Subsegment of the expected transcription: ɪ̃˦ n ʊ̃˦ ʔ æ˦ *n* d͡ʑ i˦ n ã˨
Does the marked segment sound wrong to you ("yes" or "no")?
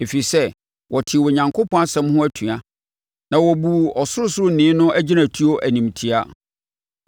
yes